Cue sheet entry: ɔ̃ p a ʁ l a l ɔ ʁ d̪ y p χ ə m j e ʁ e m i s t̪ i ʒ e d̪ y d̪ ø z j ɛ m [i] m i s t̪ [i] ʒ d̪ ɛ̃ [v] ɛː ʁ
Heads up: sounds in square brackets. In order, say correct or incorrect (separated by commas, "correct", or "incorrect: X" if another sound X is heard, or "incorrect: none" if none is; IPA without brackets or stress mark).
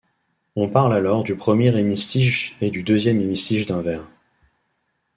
incorrect: e, correct, correct